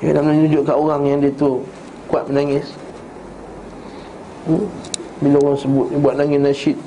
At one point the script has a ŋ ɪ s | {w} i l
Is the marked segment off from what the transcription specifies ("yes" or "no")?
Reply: yes